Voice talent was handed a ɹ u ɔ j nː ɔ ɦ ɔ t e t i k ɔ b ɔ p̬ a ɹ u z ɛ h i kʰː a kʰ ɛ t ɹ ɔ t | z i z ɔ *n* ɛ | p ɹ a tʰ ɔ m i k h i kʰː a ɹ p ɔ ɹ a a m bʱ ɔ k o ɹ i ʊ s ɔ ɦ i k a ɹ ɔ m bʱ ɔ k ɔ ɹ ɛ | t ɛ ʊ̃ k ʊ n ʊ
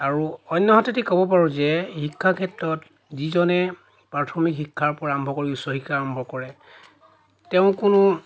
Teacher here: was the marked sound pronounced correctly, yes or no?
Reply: yes